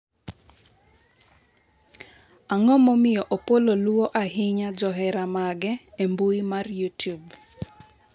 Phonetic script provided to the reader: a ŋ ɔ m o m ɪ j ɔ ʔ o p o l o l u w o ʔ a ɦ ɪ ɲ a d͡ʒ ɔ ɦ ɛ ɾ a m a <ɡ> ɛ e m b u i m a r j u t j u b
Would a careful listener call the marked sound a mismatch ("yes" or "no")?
no